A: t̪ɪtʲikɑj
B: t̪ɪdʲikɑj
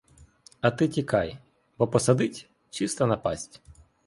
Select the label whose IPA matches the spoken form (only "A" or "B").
A